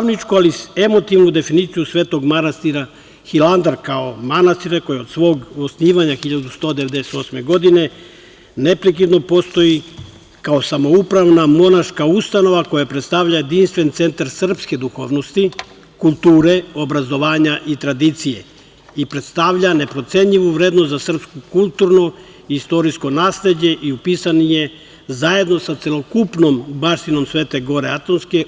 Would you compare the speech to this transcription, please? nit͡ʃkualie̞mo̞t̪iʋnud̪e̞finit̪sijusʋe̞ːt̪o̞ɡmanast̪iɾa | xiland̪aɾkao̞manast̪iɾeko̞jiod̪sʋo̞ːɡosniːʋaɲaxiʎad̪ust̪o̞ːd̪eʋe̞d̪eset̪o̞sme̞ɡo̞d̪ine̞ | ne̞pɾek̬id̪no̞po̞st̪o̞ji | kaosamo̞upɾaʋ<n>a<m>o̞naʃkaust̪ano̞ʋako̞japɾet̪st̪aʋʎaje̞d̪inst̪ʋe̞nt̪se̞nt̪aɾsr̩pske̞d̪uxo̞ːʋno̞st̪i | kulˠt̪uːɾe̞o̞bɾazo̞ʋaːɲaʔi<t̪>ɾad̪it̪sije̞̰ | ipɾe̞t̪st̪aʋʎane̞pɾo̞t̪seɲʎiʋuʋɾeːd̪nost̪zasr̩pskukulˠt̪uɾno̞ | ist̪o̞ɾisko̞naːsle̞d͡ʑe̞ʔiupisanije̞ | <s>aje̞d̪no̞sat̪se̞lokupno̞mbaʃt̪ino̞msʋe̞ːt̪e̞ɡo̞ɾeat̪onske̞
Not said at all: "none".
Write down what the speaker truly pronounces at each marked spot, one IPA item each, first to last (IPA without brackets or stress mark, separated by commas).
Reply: n, m, t̪, z